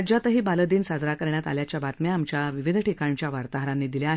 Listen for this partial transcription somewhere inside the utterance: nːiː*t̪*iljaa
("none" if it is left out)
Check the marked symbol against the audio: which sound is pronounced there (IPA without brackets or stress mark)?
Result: d̪